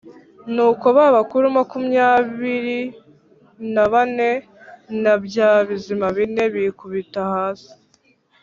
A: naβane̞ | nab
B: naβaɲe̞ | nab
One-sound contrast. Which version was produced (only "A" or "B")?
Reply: A